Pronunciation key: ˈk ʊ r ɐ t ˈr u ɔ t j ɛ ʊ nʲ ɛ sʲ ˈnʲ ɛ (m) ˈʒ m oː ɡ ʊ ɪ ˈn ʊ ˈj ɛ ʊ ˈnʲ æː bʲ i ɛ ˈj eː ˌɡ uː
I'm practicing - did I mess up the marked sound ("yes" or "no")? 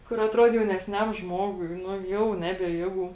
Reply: no